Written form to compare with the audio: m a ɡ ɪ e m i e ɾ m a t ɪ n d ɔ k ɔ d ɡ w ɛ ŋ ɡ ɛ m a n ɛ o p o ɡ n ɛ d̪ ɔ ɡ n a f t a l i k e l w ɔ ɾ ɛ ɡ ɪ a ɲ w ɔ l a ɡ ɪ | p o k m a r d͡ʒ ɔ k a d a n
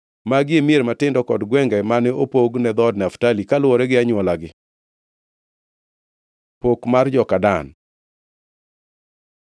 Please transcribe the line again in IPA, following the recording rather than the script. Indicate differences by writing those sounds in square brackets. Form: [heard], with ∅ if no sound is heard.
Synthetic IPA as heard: m a ɡ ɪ e m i e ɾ m a t ɪ n d ɔ k ɔ d ɡ w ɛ ŋ ɡ ɛ m a n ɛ o p o ɡ n ɛ d̪ ɔ [d] n a f t a l i k [a] l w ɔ ɾ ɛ ɡ ɪ a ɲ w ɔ l a ɡ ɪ | p o k m a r d͡ʒ ɔ k a d a n